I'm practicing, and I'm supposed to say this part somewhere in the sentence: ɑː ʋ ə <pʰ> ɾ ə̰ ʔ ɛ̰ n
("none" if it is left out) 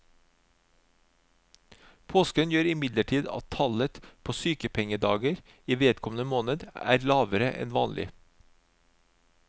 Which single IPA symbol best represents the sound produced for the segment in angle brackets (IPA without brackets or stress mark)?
none